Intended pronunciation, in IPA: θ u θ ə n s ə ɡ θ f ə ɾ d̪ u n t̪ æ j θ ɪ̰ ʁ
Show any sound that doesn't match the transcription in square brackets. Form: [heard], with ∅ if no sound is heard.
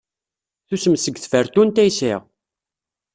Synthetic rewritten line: θ u [s] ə [m] s ə ɡ θ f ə ɾ [t̪] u n t̪ æ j [s] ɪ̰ ʁ